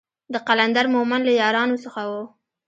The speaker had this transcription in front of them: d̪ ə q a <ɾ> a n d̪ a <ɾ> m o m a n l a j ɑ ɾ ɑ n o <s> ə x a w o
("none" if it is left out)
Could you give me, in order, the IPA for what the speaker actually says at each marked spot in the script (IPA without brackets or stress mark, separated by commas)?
l, ɾ, s